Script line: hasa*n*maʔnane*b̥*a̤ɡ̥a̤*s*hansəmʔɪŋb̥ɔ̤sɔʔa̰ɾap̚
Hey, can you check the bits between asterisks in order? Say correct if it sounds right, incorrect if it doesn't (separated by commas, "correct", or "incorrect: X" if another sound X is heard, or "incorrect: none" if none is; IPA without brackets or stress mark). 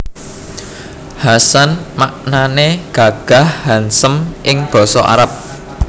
correct, incorrect: ɡ̥, incorrect: h